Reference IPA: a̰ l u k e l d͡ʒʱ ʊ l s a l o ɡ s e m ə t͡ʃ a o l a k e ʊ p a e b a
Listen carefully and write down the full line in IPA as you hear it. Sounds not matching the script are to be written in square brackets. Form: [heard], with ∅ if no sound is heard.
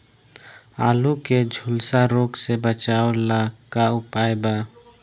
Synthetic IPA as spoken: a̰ l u k e [∅] d͡ʒʱ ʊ l s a [ɾ] o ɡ s e [b] ə t͡ʃ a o l a k [a] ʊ p a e b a